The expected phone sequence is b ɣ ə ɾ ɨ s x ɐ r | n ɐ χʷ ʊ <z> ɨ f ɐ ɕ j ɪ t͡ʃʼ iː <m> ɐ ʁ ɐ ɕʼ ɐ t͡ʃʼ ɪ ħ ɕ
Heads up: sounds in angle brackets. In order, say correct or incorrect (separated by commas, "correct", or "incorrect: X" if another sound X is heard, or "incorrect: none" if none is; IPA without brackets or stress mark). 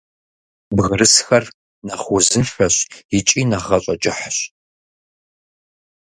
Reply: correct, incorrect: n